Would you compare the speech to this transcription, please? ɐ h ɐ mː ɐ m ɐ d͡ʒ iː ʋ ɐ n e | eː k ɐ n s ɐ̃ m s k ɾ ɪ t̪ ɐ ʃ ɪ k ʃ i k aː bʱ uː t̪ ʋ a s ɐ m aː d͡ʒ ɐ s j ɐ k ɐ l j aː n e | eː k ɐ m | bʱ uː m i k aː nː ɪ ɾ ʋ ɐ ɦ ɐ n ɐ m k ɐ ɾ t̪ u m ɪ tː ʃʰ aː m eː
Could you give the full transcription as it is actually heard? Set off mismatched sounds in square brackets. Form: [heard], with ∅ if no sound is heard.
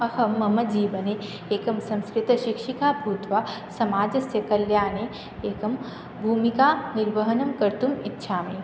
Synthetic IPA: ɐ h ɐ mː ɐ m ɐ d͡ʒ iː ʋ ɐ n e | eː k ɐ [m] s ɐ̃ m s k ɾ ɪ t̪ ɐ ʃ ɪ k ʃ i k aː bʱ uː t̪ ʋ a s ɐ m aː d͡ʒ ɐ s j ɐ k ɐ l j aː n e | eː k ɐ m | bʱ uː m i k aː [n] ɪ ɾ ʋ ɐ ɦ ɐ n ɐ m k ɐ ɾ t̪ u m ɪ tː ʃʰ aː m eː